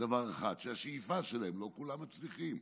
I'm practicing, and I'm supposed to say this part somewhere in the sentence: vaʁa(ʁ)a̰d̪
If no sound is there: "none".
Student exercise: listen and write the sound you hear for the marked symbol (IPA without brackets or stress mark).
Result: χ